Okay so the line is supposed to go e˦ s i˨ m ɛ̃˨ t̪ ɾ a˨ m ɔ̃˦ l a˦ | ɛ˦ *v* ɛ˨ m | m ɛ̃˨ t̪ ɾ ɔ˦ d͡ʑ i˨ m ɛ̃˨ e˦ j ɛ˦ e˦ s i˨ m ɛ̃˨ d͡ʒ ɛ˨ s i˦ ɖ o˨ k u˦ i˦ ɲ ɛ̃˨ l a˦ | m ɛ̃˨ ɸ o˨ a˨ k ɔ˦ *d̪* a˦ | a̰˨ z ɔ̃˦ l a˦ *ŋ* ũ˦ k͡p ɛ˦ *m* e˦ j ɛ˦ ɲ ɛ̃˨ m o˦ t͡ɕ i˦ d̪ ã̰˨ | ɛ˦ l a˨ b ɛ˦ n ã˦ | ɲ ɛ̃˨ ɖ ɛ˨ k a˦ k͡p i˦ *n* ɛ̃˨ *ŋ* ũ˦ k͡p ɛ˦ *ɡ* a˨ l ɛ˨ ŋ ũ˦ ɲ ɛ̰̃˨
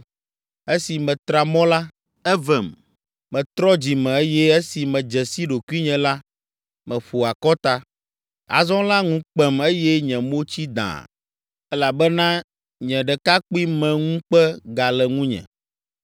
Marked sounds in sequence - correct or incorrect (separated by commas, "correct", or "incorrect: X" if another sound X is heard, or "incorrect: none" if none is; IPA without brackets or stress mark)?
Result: correct, incorrect: t̪, correct, correct, incorrect: m, correct, correct